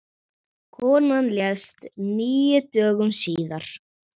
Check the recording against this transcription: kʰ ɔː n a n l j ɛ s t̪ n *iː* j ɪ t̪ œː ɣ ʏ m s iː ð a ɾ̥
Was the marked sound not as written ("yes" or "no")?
no